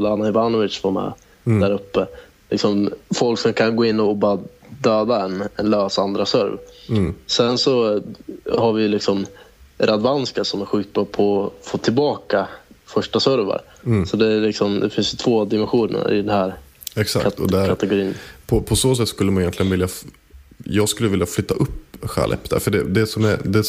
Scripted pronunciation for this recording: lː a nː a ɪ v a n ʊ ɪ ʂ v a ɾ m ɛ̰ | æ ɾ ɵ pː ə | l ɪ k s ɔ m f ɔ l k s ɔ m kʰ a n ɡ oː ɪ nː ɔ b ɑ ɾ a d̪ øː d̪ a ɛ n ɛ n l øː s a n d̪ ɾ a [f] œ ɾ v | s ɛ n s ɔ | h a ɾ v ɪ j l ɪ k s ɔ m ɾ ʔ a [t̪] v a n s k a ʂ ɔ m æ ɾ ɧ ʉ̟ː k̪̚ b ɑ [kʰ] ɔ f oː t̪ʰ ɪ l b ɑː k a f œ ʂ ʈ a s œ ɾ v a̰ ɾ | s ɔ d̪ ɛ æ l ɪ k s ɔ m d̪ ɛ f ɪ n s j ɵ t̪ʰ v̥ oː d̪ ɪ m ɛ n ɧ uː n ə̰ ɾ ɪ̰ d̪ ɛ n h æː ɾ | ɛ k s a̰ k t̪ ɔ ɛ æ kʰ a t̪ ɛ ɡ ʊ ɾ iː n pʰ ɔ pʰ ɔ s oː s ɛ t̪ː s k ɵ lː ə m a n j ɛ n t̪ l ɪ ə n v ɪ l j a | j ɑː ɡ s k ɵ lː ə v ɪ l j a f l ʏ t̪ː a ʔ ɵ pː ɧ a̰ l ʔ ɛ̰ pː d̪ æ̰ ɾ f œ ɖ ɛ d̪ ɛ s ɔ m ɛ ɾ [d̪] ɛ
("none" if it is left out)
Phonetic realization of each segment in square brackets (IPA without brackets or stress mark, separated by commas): s, d̪, pʰ, d̪